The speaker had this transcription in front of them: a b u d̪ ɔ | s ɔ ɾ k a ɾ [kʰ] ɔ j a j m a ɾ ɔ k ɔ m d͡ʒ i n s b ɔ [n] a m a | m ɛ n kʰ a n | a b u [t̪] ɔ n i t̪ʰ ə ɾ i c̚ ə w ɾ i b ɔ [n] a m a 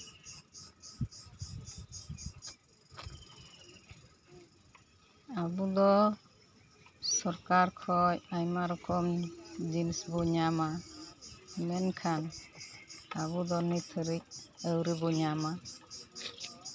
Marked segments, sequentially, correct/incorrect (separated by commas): correct, incorrect, incorrect, incorrect